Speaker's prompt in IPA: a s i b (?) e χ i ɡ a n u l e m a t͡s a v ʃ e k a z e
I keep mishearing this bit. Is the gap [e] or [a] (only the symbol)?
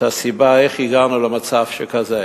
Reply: a